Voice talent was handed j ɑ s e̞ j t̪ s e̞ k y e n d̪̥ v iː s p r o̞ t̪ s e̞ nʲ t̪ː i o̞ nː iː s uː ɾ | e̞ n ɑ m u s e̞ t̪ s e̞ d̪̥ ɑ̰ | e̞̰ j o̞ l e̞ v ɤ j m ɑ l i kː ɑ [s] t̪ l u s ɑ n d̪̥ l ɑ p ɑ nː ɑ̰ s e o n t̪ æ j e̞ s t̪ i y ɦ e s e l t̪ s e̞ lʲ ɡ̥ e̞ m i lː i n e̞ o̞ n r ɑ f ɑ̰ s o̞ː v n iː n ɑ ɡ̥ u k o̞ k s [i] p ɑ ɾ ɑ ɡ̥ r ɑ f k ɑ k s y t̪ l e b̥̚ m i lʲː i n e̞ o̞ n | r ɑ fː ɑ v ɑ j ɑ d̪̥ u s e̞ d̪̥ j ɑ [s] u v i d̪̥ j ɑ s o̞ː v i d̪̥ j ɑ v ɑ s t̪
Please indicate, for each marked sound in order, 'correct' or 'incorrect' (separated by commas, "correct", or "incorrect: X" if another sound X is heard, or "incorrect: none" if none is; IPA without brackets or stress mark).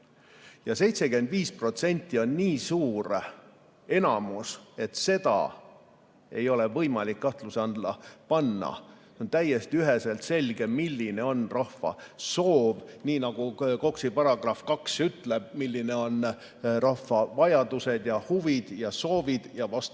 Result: incorrect: h, correct, incorrect: h